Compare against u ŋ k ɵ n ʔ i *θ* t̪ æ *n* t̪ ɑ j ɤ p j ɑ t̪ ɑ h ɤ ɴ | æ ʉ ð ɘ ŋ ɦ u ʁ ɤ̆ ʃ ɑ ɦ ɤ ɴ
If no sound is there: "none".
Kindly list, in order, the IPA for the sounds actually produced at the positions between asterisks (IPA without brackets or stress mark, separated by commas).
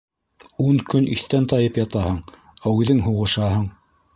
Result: θ, n